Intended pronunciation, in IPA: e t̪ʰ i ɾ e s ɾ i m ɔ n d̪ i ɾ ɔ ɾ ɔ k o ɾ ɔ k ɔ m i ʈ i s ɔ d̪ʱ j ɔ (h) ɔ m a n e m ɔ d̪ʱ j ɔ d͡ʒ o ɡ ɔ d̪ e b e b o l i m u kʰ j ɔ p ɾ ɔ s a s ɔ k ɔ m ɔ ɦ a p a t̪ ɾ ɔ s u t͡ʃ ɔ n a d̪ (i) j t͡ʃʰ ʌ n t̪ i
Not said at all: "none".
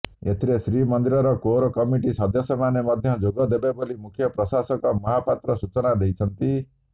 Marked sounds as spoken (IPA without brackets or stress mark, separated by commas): s, e